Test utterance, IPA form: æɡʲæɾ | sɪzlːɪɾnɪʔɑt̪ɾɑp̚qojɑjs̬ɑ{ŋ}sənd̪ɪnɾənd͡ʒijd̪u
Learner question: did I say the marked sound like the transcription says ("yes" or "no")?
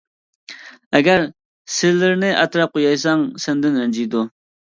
yes